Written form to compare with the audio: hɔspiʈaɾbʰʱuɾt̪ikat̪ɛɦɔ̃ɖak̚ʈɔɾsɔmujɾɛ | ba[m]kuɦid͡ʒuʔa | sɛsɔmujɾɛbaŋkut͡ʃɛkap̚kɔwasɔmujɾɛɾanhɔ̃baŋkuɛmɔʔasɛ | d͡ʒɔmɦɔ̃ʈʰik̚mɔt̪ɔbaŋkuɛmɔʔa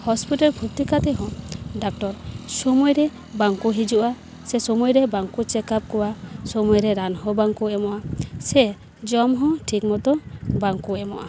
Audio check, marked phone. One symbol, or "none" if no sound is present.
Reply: ŋ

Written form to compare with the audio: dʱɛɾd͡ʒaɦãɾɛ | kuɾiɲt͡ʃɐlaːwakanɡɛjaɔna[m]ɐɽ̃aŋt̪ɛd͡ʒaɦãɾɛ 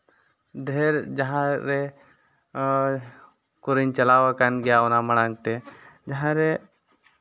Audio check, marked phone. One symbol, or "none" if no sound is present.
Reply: m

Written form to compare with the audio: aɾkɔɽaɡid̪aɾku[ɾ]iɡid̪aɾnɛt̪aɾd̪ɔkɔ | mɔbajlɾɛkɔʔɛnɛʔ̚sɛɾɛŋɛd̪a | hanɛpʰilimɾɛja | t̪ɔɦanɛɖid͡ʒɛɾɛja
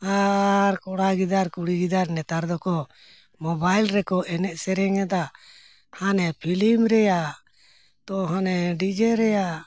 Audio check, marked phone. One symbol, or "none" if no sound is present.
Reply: ɽ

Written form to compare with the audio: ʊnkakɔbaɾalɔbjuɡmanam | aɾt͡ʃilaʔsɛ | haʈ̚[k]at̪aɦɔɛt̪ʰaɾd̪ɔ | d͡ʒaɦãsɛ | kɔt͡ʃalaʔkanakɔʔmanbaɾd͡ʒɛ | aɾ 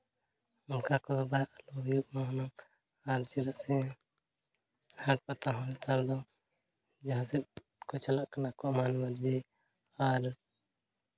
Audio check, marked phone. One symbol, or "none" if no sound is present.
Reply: p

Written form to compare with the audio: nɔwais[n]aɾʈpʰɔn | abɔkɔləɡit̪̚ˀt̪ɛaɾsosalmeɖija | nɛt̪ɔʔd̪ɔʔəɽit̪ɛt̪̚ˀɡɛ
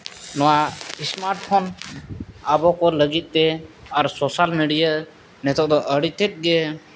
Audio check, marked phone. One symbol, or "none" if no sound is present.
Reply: m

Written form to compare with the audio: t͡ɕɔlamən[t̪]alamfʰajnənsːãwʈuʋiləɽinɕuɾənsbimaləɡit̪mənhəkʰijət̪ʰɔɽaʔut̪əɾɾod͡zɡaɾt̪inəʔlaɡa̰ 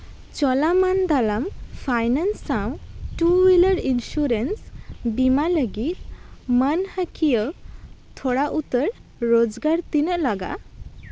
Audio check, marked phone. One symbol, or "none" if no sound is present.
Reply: d̪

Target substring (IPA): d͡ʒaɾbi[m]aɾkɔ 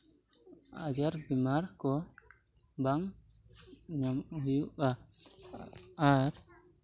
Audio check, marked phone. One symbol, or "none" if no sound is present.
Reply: m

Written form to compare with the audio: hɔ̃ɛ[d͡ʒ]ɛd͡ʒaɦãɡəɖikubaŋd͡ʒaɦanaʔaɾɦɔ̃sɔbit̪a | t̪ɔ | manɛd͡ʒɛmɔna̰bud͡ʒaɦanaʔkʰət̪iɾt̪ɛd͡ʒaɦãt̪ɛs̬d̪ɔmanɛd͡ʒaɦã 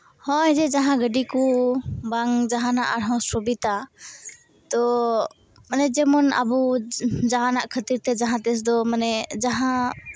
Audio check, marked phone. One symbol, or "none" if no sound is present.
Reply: d͡ʒ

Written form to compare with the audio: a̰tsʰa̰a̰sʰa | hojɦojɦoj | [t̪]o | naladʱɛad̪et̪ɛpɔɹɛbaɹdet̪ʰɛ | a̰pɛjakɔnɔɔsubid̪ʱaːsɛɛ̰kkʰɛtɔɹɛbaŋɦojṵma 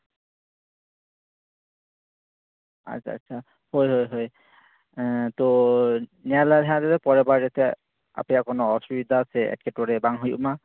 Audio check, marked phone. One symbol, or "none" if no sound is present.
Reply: t̪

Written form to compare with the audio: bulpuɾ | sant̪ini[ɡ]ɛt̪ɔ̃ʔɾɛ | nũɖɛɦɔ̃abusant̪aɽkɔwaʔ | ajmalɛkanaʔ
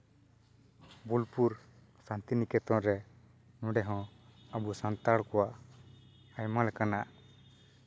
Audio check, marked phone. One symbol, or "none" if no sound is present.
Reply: k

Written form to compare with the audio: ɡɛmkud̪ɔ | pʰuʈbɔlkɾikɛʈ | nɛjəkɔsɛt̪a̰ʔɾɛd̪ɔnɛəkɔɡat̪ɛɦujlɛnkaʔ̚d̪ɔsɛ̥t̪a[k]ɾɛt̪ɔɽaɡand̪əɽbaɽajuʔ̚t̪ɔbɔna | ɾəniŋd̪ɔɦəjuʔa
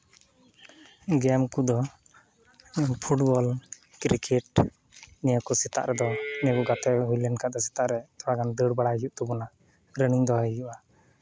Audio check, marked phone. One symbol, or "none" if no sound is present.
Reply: ʔ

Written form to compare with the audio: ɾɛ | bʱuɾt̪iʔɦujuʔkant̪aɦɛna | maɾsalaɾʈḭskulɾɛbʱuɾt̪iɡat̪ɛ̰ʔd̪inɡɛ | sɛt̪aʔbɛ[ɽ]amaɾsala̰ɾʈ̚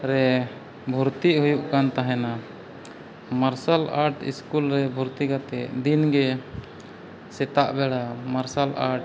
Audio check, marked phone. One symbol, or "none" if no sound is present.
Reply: ɽ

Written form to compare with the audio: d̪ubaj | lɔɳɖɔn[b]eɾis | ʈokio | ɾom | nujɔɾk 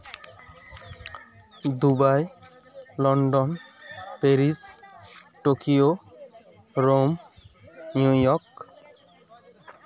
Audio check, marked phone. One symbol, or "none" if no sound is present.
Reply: p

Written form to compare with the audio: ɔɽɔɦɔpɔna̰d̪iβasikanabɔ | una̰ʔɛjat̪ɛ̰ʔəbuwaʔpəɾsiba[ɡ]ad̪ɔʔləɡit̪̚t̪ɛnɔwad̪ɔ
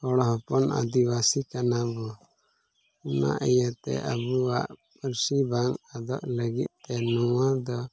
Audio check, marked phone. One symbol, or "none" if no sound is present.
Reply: ŋ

